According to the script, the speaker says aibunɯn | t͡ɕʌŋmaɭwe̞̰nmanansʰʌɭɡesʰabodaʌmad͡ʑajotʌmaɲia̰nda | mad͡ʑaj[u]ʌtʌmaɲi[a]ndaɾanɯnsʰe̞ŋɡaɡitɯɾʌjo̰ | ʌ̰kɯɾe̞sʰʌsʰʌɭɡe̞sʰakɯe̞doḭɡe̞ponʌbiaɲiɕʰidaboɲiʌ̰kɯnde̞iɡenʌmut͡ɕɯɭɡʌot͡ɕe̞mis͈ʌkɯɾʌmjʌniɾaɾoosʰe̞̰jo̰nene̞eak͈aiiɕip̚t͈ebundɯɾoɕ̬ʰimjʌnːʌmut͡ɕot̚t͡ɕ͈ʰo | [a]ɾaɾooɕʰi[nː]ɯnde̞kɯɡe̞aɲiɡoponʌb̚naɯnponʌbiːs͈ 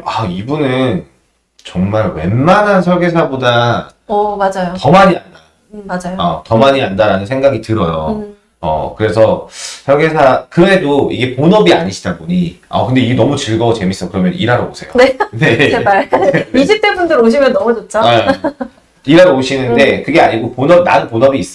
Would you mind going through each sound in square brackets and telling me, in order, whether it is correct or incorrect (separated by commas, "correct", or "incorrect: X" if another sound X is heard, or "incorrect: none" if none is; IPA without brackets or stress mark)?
incorrect: o, correct, incorrect: i, incorrect: n